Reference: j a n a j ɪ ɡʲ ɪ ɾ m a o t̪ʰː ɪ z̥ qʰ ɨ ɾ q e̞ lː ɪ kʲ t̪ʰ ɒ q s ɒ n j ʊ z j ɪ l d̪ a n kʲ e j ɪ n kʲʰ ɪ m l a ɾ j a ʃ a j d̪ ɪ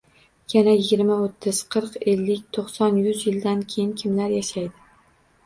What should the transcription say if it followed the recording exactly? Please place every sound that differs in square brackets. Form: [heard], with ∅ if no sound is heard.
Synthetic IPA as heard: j a n a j ɪ ɡʲ ɪ ɾ m a o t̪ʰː ɪ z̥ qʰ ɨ ɾ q e̞ lː ɪ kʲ t̪ʰ [o] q s ɒ n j ʊ z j ɪ l d̪ a n [kʲʰ] e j ɪ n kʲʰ ɪ m l a ɾ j a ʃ a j d̪ ɪ